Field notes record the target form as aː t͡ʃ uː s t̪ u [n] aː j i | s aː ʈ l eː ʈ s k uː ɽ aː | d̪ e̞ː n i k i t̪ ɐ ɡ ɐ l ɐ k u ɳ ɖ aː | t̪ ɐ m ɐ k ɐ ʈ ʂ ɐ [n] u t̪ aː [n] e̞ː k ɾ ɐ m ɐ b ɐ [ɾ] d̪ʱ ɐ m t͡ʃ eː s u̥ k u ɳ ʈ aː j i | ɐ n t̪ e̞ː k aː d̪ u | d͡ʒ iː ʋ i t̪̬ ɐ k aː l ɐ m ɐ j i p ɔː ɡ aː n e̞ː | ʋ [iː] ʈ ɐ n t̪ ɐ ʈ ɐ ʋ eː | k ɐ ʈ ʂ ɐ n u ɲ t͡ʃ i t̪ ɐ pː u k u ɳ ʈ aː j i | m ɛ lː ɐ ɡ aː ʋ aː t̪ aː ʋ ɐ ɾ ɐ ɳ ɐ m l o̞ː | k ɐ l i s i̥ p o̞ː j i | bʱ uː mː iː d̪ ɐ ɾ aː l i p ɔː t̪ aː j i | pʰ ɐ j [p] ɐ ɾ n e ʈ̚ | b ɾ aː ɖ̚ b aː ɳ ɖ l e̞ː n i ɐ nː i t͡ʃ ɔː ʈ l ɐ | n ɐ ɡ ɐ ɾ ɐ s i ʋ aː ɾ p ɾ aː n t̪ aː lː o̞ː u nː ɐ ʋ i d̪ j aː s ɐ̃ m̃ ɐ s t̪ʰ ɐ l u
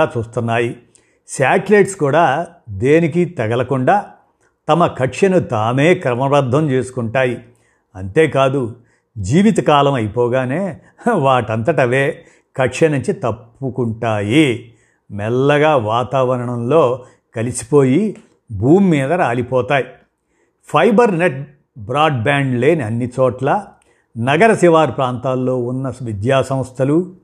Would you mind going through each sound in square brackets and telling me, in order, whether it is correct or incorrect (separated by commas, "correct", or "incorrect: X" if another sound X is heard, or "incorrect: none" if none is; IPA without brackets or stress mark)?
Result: incorrect: nː, correct, incorrect: m, correct, incorrect: aː, incorrect: b